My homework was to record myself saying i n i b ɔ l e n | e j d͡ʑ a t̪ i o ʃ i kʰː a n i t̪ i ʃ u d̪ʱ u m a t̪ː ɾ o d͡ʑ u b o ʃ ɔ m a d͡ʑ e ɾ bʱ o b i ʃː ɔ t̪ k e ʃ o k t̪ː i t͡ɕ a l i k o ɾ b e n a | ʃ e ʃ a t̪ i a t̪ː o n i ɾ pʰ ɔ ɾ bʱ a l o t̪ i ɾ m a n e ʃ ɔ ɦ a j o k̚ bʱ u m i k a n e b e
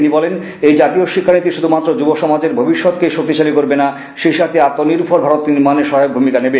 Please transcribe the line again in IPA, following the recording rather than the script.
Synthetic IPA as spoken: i n i b ɔ l e n | e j d͡ʑ a t̪ i o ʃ i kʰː a n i t̪ i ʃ u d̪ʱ u m a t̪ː ɾ o d͡ʑ u b o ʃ ɔ m a d͡ʑ e ɾ bʱ o b i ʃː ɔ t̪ k e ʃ o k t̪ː i t͡ɕ a l i k o ɾ b e n a | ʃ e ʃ a t̪ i a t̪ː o n i ɾ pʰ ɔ ɾ bʱ a ɾ o t̪ i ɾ m a n e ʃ ɔ ɦ a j o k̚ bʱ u m i k a n e b e